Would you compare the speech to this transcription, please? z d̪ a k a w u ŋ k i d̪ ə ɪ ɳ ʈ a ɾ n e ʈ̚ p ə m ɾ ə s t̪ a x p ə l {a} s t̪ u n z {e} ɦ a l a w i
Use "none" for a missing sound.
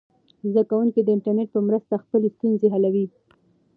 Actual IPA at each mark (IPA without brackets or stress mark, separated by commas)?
e, e